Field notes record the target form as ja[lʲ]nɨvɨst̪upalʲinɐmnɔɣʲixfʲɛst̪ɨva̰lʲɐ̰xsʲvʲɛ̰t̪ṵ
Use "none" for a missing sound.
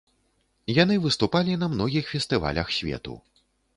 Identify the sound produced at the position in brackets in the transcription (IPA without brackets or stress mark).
none